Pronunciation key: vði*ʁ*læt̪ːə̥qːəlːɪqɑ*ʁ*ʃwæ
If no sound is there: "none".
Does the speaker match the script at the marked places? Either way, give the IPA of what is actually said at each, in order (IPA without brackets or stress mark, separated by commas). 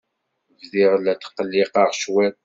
ʁ, ʁ